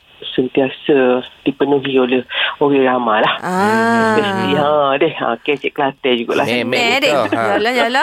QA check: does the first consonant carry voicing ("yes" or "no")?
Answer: no